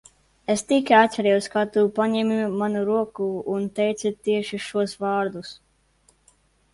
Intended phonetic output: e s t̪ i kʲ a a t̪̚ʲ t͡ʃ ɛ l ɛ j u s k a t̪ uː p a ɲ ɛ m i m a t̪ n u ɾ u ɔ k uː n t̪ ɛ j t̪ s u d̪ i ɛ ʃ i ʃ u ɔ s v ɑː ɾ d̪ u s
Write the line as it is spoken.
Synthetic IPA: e s t̪ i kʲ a a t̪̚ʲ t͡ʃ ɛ ɾ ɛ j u s k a t̪ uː p a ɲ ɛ m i m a n u ɾ u ɔ k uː n t̪ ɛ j t̪ s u t̪ i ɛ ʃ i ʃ u ɔ s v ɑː ɾ d̪ u s